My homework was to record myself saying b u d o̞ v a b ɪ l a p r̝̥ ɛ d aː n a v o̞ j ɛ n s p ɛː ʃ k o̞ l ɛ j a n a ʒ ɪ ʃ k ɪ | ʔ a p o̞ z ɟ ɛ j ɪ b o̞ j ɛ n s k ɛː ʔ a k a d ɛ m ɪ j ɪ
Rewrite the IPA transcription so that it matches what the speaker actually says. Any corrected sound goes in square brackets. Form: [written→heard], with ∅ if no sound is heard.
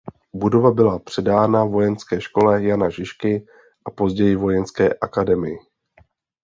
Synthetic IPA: b u d o̞ v a b ɪ l a p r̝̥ ɛ d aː n a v o̞ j ɛ n s [p→k] ɛː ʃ k o̞ l ɛ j a n a ʒ ɪ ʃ k ɪ | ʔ a p o̞ z ɟ ɛ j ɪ [b→v] o̞ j ɛ n s k ɛː ʔ a k a d ɛ m ɪ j ɪ